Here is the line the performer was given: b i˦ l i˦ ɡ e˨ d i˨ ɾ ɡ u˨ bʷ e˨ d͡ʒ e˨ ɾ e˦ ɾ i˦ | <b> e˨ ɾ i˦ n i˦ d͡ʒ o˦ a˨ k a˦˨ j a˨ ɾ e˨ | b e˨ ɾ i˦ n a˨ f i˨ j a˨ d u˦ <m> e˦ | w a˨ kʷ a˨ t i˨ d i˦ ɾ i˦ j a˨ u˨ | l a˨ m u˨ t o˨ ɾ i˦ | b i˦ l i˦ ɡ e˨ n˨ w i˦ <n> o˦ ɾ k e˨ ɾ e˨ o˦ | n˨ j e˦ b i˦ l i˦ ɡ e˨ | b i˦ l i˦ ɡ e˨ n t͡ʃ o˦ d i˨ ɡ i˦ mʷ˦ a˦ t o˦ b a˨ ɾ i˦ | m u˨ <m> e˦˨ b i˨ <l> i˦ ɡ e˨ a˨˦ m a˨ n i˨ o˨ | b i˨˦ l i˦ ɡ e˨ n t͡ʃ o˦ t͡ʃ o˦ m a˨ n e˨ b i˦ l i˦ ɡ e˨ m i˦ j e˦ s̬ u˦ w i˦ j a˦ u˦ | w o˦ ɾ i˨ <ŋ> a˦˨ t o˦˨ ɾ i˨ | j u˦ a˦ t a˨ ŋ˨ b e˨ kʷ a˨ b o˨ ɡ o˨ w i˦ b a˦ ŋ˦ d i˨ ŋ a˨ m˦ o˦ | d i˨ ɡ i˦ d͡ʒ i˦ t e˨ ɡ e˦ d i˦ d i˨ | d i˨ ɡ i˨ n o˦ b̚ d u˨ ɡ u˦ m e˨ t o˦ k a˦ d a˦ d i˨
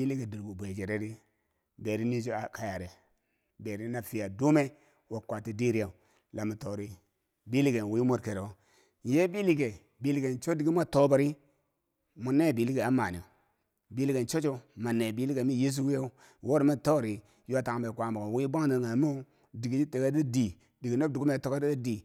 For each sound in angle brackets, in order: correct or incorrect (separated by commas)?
correct, correct, incorrect, incorrect, correct, incorrect